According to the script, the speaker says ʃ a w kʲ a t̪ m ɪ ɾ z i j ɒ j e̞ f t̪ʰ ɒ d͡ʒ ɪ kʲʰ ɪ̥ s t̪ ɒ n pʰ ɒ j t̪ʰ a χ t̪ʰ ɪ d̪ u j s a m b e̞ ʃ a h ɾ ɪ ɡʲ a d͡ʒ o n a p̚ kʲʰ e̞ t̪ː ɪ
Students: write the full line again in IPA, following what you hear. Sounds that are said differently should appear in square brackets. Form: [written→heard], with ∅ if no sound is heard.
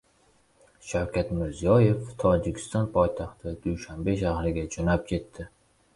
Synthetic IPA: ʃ a w kʲ a t̪ m ɪ ɾ z i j ɒ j e̞ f t̪ʰ ɒ d͡ʒ ɪ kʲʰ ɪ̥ s t̪ ɒ n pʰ ɒ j t̪ʰ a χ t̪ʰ ɪ d̪ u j [s→ʃ] a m b e̞ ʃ a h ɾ ɪ ɡʲ a d͡ʒ o n a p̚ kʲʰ e̞ t̪ː ɪ